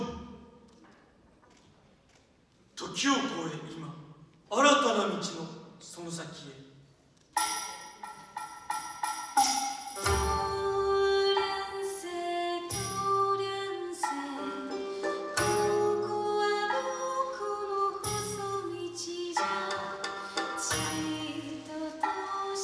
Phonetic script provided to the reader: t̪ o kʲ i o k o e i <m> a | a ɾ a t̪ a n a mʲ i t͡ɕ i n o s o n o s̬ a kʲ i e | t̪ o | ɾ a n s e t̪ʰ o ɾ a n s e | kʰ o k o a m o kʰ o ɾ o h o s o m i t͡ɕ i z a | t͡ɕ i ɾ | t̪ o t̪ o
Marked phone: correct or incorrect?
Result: correct